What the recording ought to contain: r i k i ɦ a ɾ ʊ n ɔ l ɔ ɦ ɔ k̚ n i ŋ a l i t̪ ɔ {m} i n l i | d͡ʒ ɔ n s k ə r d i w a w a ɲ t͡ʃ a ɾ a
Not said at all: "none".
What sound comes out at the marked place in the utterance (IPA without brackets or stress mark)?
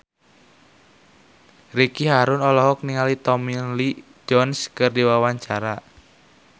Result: m